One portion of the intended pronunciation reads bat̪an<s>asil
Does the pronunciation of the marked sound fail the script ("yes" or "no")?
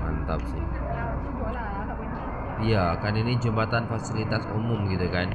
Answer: yes